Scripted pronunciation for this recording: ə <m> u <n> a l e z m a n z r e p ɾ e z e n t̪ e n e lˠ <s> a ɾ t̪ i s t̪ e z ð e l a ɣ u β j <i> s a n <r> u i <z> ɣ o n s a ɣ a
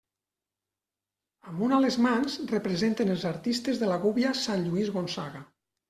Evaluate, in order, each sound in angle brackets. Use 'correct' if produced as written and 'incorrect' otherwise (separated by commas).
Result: correct, correct, incorrect, incorrect, incorrect, correct